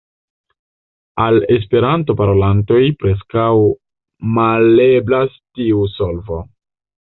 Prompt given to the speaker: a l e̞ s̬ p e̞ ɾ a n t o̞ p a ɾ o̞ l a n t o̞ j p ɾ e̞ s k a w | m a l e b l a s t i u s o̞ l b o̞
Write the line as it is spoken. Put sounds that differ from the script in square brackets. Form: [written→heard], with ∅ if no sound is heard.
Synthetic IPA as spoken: a l e̞ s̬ p e̞ ɾ a n t o̞ p a ɾ o̞ l a n t o̞ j p ɾ e̞ s k a w | m a l e b l a s t i u s o̞ l [b→v] o̞